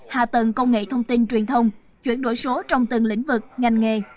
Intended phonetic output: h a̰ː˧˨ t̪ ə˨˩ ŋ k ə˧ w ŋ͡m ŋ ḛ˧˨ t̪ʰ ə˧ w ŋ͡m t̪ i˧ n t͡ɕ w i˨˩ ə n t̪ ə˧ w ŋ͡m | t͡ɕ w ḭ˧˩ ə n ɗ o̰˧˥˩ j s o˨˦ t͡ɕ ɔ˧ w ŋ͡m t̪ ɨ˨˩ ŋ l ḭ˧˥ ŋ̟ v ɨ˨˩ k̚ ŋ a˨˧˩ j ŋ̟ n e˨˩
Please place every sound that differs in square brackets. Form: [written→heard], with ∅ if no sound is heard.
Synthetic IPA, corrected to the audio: h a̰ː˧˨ t̪ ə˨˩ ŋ k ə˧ w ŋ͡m ŋ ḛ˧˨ t̪ʰ ə˧ w ŋ͡m t̪ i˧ n t͡ɕ w i˨˩ ə n [t̪→t̪ʰ] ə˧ w ŋ͡m | t͡ɕ w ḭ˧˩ ə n ɗ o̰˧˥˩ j s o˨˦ t͡ɕ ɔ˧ w ŋ͡m t̪ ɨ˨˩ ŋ l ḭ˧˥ ŋ̟ v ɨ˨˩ k̚ ŋ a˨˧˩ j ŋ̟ [n→ŋ] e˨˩